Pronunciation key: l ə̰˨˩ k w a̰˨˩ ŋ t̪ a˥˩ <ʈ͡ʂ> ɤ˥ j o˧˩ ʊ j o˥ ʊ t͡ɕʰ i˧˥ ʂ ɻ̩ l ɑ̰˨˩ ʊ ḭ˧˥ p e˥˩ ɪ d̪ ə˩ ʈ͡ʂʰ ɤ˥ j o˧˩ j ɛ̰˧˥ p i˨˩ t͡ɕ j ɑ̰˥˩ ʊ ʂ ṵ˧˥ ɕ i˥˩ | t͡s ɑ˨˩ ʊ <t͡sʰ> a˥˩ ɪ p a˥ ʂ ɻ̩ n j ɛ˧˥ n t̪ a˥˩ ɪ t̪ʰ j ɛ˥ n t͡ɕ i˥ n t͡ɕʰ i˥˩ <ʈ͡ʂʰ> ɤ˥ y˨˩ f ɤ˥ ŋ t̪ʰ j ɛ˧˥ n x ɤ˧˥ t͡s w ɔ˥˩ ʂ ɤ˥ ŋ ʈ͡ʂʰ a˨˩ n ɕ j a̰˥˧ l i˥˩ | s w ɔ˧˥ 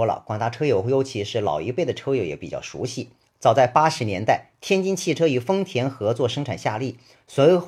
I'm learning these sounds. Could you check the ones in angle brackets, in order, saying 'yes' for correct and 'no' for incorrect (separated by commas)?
no, no, yes